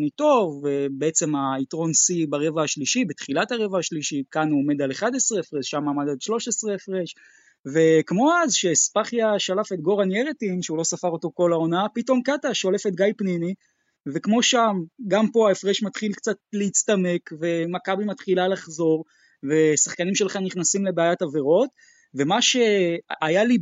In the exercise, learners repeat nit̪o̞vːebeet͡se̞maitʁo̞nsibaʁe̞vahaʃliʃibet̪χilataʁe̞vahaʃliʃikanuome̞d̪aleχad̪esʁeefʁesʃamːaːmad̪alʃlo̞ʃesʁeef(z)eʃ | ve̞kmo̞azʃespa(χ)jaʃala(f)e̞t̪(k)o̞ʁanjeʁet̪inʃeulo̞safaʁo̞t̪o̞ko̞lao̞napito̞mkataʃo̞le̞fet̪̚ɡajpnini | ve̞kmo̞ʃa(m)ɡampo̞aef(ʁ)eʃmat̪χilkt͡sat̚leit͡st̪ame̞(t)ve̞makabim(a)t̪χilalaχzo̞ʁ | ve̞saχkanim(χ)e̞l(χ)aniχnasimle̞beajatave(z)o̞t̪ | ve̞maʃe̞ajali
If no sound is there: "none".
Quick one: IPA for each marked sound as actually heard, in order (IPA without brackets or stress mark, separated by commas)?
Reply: ʁ, χ, f, ɡ, m, ʁ, k, a, ʃ, χ, ʁ